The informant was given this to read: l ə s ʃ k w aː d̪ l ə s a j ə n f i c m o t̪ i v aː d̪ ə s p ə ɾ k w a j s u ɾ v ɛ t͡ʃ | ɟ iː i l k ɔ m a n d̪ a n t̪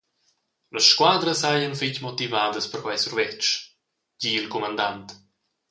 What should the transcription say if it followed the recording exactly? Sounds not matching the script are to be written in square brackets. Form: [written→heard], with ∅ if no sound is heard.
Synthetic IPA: l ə s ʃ k w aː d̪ [l→ɾ] ə s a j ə n f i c m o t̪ i v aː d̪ ə s p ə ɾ k w a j s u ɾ v ɛ t͡ʃ | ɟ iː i l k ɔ m a n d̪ a n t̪